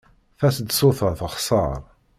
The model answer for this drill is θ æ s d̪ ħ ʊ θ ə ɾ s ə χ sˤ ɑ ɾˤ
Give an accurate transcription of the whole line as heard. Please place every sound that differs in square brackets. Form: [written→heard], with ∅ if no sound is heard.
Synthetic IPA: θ æ s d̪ [ħ→s] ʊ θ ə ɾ [s→θ] ə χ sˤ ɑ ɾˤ